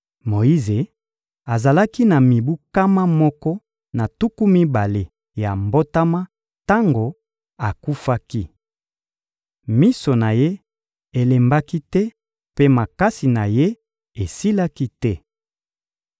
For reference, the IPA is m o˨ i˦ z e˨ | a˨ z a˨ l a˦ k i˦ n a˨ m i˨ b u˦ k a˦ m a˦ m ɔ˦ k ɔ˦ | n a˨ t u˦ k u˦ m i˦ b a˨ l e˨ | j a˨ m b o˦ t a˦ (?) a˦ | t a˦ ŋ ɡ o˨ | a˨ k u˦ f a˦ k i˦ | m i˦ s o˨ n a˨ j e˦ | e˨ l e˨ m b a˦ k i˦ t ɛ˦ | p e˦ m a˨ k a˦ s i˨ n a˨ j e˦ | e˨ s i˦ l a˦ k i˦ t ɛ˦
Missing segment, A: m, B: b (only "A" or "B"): A